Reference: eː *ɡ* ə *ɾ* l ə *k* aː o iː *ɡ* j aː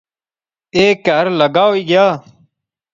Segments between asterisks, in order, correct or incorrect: incorrect: k, correct, incorrect: ɡ, correct

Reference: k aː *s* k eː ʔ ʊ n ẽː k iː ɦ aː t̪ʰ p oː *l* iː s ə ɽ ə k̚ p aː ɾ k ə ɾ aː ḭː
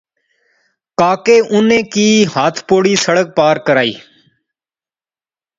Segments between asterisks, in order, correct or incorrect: incorrect: none, incorrect: ɽ

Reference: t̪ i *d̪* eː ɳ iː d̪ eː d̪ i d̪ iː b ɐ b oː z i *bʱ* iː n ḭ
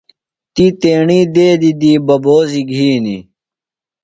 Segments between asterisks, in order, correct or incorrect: incorrect: t̪, incorrect: ɡʱ

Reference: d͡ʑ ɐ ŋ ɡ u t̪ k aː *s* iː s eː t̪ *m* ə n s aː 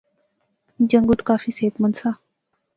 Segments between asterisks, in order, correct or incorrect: incorrect: f, correct

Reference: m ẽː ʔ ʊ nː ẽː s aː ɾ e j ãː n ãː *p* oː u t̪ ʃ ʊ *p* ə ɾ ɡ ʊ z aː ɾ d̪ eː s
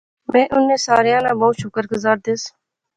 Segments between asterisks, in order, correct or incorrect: incorrect: b, incorrect: k

